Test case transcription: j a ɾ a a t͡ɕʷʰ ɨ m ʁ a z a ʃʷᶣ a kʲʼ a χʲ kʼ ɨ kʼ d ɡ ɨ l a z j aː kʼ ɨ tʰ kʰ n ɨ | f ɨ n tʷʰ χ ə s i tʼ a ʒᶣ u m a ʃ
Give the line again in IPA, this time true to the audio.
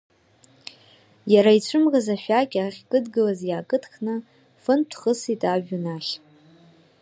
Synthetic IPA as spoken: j a ɾ a i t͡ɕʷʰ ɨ m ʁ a z a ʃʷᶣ a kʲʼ a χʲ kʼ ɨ d ɡ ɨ l a z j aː kʼ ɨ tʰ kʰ n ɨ | f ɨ n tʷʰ χ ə s i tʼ a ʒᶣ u n a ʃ

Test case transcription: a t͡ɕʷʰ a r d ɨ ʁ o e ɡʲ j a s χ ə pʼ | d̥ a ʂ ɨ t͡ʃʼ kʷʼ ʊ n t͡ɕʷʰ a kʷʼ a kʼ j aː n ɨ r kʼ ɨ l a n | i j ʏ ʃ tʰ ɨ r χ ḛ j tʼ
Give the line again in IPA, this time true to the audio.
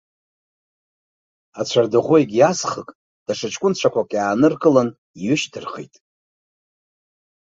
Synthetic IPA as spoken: a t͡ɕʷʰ a r d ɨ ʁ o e ɡʲ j a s χ ə kʼ | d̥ a ʂ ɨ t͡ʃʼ kʷʼ ʊ n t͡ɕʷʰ a kʷ a kʼ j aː n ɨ r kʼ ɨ l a n | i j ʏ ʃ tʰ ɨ r χ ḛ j tʼ

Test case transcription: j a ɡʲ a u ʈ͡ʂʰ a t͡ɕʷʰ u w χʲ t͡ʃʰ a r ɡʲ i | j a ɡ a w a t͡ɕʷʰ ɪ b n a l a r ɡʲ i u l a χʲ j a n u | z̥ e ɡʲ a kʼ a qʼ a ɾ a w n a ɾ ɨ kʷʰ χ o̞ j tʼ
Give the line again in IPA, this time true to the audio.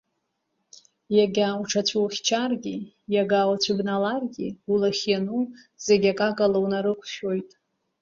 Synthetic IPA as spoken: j a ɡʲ a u ʈ͡ʂʰ a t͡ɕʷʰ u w χʲ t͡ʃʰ a r ɡʲ i | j a ɡ a w a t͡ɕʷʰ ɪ b n a l a r ɡʲ i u l a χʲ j a n u | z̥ e ɡʲ a kʼ a kʼ a l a w n a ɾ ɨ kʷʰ ʃ o̞ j tʼ

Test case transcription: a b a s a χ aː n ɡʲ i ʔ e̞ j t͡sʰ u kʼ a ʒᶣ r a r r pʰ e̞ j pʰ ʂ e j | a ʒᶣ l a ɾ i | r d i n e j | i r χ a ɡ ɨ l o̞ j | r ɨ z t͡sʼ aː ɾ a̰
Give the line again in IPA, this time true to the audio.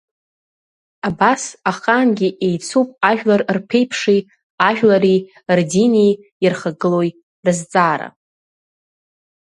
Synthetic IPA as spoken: a b a s a χ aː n ɡʲ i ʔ e̞ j t͡sʰ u pʼ a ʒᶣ l a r r pʰ e̞ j pʰ ʂ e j | a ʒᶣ l a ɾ i | r d i n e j | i r χ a ɡ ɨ l o̞ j | r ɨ z t͡sʼ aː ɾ a̰

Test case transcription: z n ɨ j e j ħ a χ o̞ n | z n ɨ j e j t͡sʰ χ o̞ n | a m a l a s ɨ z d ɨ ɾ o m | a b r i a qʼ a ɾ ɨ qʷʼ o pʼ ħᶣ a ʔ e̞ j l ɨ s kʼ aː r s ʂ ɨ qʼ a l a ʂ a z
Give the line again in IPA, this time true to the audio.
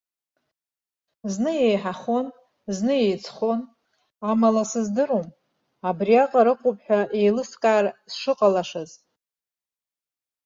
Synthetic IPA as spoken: z n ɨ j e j ħ a χ o̞ n | z n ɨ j e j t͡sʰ χ o̞ n | a m a l a s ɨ z d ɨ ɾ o m | a b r i a qʼ a ɾ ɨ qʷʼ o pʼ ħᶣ a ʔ e̞ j l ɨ s kʼ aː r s ʂ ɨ qʼ a l a ʂ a z

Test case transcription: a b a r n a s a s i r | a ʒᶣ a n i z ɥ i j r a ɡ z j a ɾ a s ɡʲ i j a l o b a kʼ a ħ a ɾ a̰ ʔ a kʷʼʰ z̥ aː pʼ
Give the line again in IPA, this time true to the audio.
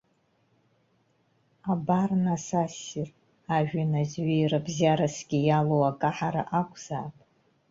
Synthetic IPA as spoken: a b a r n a s a s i r | a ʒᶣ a n a z ɥ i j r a b z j a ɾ a s ɡʲ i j a l o w a kʼ a ħ a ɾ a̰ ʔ a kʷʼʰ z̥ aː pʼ

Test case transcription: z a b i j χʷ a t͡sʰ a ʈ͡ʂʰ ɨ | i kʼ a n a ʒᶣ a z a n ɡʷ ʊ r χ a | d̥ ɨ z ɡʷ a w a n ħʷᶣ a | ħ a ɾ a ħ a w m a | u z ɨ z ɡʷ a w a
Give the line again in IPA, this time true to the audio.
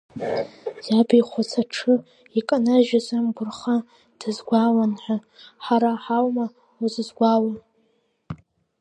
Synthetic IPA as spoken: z a b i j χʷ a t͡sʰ a ʈ͡ʂʰ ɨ | i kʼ a n a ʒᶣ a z a m ɡʷ ʊ r χ a | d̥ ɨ z ɡʷ a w a n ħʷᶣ a | ħ a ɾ a ħ a w m a | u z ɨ z ɡʷ a w a

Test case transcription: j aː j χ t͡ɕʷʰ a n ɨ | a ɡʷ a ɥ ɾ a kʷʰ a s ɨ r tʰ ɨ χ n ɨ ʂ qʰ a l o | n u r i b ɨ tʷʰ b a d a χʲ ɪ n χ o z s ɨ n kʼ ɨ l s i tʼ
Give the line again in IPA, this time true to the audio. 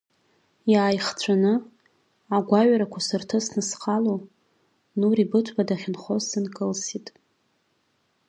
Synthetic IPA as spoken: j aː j χ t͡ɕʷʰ a n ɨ | a ɡʷ a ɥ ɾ a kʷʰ a s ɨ r tʰ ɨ s n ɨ s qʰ a l o | n u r i b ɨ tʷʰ b a d a χʲ ɪ n χ o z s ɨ n kʼ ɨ l s i tʼ

